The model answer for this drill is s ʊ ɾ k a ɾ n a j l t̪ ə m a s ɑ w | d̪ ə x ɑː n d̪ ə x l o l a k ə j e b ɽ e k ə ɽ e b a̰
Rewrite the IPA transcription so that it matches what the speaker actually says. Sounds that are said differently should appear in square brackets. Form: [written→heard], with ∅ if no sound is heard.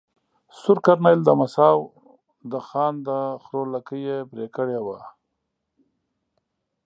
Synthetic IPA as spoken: s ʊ ɾ k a ɾ n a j l [t̪→d̪] ə m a s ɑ w | d̪ ə x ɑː n d̪ ə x [l→ɾ] o l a k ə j e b [ɽ→ɾ] e k ə ɽ e [b→w] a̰